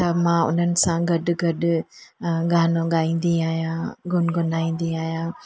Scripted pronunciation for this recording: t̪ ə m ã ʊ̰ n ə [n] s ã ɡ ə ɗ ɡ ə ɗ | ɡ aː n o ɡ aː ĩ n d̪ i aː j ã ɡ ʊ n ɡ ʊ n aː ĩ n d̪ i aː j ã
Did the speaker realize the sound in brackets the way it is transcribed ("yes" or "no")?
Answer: yes